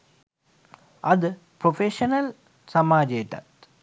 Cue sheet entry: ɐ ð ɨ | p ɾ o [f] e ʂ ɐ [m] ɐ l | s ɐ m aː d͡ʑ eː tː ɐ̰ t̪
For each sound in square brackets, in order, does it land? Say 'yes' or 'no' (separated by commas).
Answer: yes, no